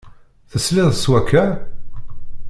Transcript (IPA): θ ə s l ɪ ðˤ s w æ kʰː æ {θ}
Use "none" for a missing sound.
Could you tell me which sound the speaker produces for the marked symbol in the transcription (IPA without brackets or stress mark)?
none